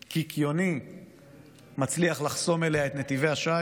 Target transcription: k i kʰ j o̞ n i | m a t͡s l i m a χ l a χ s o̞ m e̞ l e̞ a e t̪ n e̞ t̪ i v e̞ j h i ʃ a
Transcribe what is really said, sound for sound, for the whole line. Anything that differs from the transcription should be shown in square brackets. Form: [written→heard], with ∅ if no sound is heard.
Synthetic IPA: k i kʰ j o̞ n i | m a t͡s l i [m→∅] a χ l a χ s o̞ m e̞ l e̞ a e t̪ n e̞ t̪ i v e̞ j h [i→a] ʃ a